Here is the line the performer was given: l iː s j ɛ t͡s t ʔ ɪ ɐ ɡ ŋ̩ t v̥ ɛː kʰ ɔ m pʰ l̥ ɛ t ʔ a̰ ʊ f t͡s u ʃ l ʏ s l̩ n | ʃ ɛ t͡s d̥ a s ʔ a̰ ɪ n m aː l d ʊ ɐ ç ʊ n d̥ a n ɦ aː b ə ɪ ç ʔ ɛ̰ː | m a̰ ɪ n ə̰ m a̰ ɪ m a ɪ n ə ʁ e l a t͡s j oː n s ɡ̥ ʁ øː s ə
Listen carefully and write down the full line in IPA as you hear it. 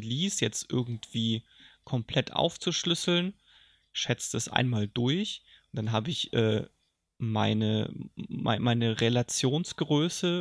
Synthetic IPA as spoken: l iː s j ɛ t͡s t ʔ ɪ ɐ ɡ ŋ̩ t v̥ iː kʰ ɔ m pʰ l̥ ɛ t ʔ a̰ ʊ f t͡s u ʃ l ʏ s l̩ n | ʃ ɛ t͡s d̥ a s ʔ a̰ ɪ n m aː l d ʊ ɐ ç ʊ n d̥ a n ɦ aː b ə ɪ ç ʔ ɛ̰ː | m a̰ ɪ n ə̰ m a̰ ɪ m a ɪ n ə ʁ e l a t͡s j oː n s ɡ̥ ʁ øː s ə